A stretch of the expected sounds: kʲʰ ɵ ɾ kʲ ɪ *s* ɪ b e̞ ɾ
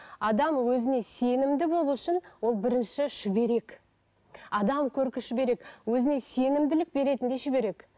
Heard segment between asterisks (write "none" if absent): ʃ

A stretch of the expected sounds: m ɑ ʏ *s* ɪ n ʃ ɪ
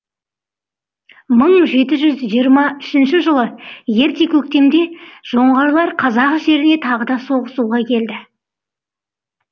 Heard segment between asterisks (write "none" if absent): ʃ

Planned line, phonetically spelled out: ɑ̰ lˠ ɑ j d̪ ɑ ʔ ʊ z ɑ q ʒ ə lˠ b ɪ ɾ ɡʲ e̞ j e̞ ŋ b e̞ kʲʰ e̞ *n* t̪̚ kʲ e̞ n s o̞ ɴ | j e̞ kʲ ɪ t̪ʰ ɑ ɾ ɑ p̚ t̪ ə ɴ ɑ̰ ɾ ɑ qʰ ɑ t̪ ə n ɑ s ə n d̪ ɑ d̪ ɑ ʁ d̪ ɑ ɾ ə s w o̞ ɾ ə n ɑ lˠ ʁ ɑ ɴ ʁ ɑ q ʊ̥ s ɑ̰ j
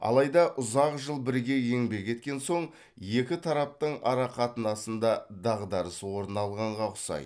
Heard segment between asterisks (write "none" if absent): none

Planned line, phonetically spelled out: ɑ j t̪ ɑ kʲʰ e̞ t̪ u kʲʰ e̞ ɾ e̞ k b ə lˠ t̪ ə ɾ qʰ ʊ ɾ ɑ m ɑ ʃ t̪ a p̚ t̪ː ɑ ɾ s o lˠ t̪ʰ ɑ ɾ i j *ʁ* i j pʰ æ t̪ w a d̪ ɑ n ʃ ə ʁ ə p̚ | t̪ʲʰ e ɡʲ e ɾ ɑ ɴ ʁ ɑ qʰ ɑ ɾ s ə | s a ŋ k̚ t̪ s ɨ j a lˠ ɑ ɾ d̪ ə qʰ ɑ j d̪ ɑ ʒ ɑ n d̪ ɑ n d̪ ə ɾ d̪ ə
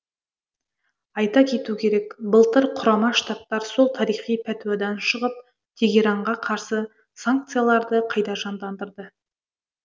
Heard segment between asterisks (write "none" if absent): χ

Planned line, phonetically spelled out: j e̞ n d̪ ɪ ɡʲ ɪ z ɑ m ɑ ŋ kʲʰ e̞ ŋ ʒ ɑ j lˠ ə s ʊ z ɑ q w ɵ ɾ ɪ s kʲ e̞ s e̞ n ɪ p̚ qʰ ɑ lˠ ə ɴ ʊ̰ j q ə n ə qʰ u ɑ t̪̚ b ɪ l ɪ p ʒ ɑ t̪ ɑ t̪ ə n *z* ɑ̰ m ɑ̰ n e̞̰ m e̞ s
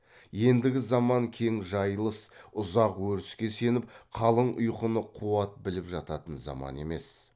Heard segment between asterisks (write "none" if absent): z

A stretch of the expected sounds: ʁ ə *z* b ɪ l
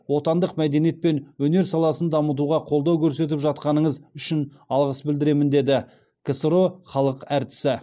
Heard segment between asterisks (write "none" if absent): s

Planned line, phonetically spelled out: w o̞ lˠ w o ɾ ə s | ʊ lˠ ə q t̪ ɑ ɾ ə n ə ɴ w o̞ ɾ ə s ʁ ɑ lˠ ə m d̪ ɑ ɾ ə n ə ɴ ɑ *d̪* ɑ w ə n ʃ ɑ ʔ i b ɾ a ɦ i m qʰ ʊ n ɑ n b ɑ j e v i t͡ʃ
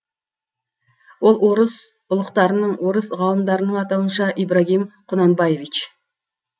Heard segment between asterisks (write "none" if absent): t̪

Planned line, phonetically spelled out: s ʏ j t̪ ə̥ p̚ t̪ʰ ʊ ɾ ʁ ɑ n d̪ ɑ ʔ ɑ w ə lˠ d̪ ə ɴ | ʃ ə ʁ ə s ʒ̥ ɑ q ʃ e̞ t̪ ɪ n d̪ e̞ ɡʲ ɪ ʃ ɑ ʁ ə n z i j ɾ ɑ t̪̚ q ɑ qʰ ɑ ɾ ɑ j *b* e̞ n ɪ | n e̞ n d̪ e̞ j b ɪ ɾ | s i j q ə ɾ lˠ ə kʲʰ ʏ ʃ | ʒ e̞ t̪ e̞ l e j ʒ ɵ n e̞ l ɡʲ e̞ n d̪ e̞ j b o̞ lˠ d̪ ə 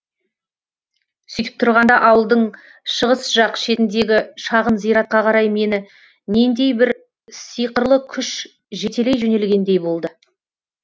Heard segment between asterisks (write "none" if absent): m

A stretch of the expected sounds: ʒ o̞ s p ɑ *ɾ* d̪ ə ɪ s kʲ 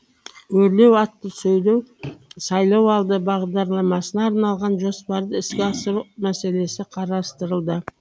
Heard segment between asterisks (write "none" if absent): ɾ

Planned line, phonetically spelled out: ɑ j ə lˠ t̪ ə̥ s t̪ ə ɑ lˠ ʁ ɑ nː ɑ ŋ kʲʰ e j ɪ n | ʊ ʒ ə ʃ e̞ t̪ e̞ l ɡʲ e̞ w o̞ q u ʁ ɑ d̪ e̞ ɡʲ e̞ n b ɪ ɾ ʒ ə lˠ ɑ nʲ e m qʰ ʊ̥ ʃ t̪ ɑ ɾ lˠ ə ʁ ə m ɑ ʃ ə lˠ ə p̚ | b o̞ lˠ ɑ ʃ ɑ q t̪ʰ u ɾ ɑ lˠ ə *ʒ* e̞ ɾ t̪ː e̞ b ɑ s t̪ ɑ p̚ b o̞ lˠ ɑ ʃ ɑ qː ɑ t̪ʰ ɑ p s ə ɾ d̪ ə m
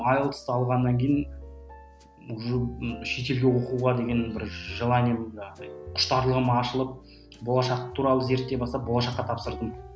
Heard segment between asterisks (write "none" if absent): z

